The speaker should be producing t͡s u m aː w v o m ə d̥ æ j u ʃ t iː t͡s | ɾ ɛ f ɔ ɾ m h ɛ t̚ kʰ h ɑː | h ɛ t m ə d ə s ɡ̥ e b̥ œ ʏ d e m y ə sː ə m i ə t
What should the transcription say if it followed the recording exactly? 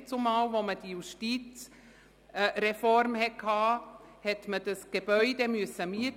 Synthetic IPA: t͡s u m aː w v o m ə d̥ i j u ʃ t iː t͡s | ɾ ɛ f ɔ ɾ m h ɛ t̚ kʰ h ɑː | h ɛ t m ə d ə s ɡ̥ e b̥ œ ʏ d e m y ə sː ə m i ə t